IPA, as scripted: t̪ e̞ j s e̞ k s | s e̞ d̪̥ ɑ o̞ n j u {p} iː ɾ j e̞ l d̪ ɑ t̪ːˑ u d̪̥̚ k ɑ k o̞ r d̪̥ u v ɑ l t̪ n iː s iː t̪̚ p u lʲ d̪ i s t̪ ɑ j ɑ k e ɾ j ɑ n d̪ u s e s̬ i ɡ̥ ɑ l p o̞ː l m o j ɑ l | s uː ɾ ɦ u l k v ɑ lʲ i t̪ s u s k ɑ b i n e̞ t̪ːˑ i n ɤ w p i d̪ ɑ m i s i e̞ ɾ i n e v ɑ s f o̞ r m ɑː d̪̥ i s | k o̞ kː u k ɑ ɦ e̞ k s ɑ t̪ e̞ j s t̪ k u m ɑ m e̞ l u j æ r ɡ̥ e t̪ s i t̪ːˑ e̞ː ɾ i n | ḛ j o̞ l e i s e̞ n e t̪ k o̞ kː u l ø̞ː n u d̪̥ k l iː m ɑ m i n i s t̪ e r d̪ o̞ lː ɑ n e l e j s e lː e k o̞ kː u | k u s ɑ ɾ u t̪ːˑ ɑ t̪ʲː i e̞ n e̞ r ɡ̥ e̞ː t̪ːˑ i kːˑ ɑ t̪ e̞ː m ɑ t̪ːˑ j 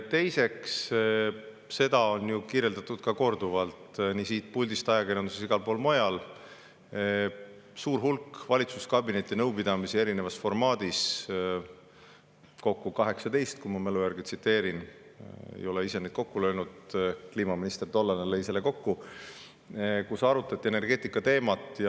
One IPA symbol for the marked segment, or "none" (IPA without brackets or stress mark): k